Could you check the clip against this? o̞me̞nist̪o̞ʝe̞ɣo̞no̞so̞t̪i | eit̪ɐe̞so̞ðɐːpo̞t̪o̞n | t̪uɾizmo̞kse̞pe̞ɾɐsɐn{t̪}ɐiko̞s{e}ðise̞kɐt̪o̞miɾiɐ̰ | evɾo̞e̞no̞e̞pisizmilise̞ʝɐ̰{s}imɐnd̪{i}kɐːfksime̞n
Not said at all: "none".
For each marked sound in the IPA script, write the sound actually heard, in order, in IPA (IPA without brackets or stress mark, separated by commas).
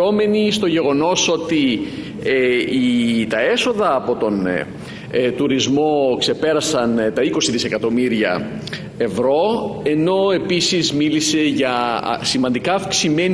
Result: t̪, i, s, i